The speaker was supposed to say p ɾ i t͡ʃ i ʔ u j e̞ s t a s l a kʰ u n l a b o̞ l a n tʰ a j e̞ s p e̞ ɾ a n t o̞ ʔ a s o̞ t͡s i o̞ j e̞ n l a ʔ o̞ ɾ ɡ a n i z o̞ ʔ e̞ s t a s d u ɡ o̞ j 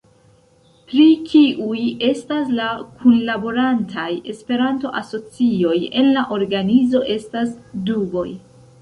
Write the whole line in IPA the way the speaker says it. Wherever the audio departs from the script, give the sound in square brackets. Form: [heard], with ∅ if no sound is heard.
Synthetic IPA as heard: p ɾ i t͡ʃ i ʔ u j e̞ s t a s l a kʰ u n l a b o̞ [ɾ] a n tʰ a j e̞ s p e̞ ɾ a n t o̞ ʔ a s o̞ t͡s i o̞ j e̞ n l a ʔ o̞ ɾ ɡ a n i z o̞ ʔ e̞ s t a s d u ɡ o̞ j